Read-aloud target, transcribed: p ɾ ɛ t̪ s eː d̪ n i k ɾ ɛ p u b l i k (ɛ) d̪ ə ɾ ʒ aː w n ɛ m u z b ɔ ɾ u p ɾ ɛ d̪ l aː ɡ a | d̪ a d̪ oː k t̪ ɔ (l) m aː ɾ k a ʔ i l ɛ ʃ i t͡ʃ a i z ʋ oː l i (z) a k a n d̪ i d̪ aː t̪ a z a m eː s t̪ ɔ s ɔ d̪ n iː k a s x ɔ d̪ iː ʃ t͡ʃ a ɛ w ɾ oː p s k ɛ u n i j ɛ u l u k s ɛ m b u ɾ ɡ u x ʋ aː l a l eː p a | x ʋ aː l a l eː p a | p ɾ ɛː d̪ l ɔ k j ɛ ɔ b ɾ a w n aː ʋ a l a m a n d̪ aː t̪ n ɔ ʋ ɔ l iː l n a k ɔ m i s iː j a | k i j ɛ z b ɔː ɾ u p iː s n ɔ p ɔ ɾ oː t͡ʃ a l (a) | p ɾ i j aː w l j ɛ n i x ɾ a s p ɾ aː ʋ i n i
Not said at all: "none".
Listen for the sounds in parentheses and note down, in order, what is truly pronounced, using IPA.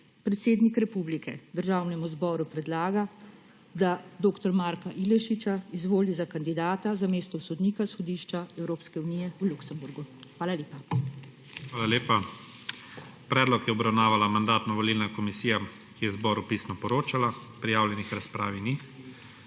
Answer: ɛ, ɾ, z, a

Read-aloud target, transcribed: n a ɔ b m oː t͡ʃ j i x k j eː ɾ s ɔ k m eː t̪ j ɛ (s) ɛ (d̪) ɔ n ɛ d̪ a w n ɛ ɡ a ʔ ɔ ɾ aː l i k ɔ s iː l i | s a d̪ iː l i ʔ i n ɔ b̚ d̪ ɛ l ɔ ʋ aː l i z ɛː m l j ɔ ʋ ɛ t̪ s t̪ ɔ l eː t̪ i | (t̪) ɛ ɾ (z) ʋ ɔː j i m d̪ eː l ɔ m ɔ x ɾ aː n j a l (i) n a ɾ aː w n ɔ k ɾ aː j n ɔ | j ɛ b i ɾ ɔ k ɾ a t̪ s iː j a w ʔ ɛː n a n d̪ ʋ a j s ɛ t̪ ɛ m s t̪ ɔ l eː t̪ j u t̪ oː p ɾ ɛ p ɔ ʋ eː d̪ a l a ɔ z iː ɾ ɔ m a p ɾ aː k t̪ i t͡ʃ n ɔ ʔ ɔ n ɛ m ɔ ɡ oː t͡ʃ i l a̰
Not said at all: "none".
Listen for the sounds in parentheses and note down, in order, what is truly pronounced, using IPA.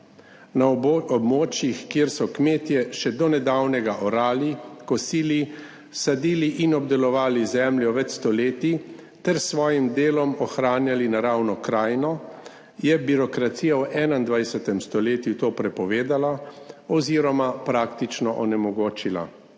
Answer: ʃ, d̪, t̪, s, i

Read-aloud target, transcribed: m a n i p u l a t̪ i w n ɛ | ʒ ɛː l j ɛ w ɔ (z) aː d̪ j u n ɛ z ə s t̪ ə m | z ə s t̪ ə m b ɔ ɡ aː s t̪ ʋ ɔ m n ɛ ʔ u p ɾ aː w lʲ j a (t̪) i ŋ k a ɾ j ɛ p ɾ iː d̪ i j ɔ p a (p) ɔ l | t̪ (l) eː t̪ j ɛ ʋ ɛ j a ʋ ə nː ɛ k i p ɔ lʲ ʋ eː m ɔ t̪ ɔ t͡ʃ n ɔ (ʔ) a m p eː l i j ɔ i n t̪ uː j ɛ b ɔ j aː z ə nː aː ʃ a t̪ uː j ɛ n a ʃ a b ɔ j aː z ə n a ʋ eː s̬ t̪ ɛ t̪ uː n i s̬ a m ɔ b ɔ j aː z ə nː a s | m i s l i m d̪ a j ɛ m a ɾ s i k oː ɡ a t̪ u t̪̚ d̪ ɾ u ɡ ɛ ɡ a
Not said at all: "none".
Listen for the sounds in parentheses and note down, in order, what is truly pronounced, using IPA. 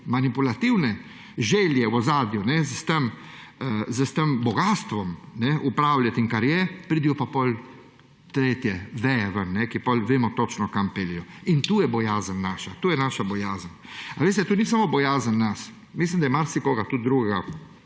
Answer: z, t̪, p, ɾ, k

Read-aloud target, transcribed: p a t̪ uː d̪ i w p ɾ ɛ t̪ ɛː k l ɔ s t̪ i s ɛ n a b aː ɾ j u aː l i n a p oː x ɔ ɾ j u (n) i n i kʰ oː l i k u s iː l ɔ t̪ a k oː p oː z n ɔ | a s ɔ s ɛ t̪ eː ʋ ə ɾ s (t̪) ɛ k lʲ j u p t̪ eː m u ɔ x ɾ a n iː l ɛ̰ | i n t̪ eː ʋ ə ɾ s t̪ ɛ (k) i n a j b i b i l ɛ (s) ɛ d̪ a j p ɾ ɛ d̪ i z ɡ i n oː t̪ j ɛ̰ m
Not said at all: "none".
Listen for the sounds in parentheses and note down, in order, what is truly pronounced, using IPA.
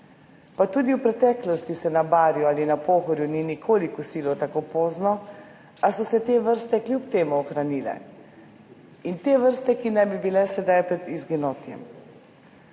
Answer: n, t̪, k, s

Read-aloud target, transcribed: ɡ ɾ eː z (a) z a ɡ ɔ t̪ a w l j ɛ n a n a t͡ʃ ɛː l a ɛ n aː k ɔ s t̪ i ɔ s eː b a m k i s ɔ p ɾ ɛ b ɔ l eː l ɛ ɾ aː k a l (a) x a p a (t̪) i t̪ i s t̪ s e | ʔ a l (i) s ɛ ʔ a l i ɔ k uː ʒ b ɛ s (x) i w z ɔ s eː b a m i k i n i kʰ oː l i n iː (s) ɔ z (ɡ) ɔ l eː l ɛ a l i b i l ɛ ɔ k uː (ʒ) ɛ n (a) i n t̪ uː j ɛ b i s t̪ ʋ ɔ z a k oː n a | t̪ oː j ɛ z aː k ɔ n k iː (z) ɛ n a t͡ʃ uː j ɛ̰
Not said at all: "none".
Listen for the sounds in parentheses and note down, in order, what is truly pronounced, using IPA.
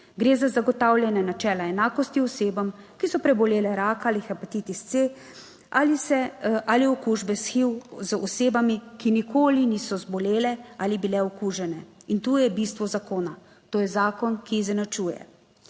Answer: a, i, t̪, i, x, s, b, ʒ, ɛ, z

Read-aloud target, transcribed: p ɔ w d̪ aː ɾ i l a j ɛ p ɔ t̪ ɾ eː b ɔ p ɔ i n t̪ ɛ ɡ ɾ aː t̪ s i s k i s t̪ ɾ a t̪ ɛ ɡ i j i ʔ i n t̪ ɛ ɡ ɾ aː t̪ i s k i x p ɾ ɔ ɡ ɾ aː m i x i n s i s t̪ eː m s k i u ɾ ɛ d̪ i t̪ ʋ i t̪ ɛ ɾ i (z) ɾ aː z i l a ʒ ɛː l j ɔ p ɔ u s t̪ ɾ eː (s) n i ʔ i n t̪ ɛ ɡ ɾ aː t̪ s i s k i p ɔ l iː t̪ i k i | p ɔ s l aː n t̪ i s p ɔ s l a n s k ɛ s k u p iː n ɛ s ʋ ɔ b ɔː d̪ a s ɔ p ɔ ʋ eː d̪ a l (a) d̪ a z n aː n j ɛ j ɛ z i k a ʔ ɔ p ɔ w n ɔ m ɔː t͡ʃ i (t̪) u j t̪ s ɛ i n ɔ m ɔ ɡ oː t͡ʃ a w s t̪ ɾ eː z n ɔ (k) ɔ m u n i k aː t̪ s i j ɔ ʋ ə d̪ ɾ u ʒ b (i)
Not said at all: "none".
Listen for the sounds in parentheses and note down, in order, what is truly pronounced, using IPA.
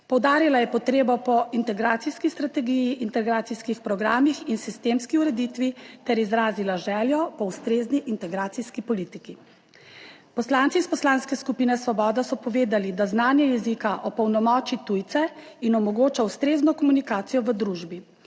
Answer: z, z, i, t̪, k, i

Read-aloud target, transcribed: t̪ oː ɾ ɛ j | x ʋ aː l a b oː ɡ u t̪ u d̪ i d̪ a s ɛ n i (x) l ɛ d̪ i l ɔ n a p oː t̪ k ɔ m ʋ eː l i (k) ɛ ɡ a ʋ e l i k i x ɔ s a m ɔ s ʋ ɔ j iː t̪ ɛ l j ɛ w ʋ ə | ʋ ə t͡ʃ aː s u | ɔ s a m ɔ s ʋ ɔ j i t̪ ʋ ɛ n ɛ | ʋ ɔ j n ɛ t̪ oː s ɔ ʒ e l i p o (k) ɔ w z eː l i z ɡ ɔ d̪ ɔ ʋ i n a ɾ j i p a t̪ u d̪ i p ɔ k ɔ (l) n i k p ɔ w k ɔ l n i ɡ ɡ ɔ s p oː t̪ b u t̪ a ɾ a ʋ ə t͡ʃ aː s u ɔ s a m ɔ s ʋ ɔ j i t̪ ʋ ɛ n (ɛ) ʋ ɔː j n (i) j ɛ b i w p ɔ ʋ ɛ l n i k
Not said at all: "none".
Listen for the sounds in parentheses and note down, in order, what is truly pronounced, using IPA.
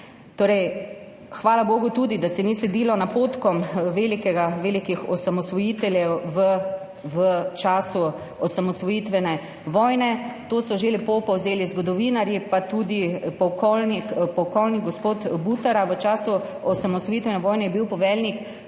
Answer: s, k, p, l, ɛ, ɛ

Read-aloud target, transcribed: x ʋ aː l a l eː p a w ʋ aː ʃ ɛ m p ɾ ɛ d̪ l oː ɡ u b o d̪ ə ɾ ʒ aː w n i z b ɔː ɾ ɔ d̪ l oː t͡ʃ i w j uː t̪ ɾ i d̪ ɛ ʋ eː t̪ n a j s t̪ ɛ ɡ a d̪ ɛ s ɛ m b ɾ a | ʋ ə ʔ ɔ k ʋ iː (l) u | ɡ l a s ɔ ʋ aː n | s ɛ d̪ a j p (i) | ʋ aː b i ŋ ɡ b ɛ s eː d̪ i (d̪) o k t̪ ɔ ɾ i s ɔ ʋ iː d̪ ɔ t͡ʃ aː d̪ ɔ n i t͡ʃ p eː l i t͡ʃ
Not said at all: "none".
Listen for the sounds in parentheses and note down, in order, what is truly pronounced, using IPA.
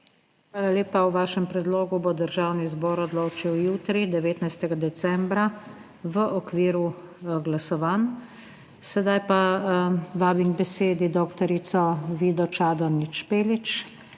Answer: ɾ, a, d̪

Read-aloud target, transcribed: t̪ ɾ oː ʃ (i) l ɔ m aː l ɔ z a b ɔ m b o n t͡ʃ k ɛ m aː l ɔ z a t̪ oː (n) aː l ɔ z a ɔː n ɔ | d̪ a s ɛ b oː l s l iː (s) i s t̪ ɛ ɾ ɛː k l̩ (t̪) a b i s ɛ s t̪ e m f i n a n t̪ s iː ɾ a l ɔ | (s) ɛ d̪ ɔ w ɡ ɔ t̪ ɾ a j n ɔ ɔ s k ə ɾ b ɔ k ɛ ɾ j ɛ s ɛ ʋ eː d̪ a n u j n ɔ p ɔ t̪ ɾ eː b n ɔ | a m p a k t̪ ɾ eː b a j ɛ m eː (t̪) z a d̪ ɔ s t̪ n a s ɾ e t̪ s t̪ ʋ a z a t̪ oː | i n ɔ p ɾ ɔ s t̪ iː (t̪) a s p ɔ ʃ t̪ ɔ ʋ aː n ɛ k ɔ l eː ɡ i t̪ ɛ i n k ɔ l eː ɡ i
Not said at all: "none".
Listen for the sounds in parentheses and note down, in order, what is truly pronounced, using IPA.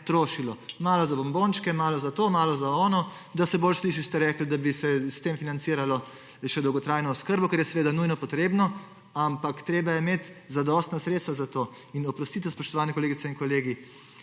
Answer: i, m, ʃ, d̪, ʃ, t̪, t̪

